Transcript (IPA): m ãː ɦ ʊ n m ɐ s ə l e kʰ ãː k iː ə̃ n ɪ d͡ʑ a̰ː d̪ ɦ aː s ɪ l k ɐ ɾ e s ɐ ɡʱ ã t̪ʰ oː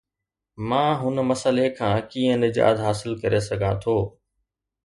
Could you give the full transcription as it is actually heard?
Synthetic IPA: m ãː ɦ ʊ n m ɐ s ə l e kʰ ãː k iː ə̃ n ɪ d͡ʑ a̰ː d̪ ɦ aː s ɪ l k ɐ ɾ e s ɐ ɡʱ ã t̪ʰ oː